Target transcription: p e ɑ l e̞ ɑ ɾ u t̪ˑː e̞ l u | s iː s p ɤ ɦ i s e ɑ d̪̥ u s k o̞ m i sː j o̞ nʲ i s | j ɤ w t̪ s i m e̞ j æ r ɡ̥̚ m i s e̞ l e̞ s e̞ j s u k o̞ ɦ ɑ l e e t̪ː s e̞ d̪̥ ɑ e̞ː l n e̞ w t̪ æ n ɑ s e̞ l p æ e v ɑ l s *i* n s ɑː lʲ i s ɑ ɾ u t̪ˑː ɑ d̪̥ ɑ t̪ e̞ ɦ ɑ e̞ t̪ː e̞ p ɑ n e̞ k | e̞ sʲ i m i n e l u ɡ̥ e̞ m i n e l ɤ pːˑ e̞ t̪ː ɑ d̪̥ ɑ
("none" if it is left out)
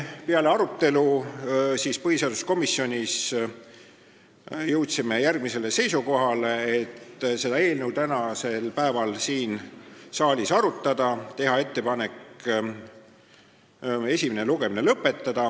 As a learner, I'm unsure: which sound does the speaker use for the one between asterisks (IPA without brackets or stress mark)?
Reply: iː